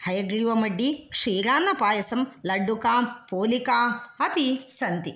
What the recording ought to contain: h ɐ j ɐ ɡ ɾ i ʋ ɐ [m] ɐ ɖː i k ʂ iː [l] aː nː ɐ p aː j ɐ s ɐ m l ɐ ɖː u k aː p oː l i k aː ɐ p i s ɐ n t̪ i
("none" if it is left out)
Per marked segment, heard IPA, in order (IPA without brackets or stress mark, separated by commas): m, ɾ